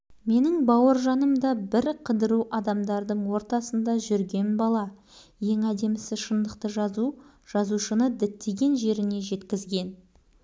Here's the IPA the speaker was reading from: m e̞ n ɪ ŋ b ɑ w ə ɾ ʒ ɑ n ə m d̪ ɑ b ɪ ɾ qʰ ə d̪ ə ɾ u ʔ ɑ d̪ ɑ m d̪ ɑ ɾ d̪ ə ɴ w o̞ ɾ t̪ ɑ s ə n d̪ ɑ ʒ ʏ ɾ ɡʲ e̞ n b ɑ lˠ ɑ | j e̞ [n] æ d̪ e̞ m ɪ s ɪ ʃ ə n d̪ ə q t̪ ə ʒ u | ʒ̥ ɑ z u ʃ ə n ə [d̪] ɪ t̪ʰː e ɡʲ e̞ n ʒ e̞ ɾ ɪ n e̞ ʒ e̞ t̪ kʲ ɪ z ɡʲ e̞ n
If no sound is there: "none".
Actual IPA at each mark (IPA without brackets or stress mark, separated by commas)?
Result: ŋ, d̪